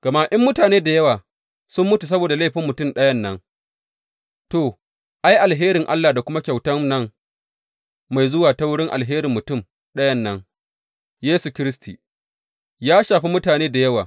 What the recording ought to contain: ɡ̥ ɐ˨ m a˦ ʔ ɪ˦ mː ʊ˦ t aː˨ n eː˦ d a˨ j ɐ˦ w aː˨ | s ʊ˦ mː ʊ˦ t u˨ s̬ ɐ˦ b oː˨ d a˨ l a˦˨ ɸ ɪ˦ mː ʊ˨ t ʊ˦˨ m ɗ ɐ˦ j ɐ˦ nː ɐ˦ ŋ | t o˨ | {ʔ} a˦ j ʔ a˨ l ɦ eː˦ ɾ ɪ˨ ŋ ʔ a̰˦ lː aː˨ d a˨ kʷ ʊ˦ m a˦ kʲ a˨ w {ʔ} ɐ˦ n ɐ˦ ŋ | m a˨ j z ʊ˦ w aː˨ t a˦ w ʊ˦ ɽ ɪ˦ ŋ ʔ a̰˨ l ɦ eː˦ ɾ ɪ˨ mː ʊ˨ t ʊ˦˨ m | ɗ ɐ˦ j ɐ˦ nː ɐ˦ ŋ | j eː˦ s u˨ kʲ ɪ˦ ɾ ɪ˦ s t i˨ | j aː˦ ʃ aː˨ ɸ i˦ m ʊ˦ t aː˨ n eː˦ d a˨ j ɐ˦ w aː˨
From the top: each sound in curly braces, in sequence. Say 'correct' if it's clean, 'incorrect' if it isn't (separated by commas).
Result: correct, incorrect